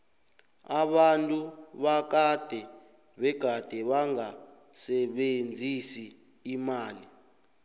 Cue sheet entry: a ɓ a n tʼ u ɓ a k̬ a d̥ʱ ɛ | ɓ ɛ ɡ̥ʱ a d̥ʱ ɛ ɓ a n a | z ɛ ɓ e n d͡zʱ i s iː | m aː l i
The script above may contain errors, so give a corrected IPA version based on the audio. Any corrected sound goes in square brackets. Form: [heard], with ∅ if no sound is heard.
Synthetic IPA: a ɓ a n tʼ u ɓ a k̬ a d̥ʱ ɛ | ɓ ɛ ɡ̥ʱ a d̥ʱ ɛ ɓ a [ŋ] a | [s] ɛ ɓ e n d͡zʱ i s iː | m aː l i